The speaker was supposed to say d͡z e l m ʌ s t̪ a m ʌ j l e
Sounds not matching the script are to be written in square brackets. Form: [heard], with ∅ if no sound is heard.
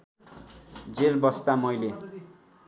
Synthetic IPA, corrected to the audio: d͡z e l [b] ʌ s t̪ a m ʌ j l e